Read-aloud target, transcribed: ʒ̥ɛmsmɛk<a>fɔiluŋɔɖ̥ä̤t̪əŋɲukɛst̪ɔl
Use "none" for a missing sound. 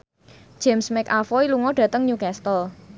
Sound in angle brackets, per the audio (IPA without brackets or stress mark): a